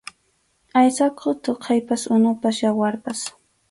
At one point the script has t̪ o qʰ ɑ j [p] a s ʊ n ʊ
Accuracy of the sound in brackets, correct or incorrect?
correct